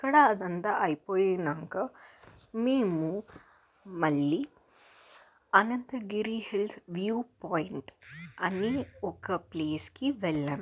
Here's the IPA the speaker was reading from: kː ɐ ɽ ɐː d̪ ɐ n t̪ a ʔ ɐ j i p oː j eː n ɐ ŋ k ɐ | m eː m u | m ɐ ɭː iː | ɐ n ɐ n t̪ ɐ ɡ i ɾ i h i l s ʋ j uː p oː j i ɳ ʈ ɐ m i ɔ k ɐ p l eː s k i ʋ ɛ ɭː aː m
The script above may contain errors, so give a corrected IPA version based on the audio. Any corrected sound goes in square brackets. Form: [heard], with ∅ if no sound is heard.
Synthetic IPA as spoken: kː ɐ ɽ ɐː d̪ ɐ n t̪ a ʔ ɐ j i p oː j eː n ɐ ŋ k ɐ | m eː m u | m ɐ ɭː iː | ɐ n ɐ n t̪ ɐ ɡ i ɾ i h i l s ʋ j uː p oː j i ɳ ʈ ɐ [n] i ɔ k ɐ p l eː s k i ʋ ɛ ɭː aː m